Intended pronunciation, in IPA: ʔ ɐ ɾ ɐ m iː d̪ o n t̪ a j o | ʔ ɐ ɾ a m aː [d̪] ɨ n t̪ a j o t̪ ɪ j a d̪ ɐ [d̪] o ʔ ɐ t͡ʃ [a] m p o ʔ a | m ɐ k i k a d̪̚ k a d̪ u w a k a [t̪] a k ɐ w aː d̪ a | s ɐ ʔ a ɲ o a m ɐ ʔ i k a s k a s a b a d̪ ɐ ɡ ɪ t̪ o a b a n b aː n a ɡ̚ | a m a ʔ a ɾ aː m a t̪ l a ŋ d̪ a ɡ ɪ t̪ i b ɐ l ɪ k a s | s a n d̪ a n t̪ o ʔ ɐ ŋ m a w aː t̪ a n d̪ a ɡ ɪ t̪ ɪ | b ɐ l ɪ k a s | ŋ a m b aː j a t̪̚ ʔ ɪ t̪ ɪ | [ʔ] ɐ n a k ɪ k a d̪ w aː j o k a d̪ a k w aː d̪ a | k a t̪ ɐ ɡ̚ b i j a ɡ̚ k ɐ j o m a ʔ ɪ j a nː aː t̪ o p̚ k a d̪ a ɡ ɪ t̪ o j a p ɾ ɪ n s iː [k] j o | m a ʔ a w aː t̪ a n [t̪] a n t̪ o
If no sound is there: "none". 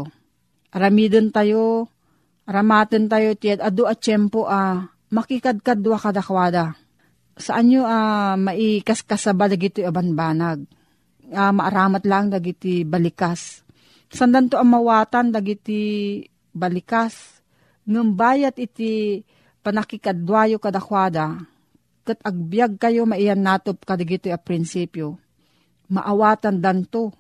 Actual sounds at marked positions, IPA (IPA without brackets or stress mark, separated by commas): t̪, d̪, ɛ, d̪, p, p, d̪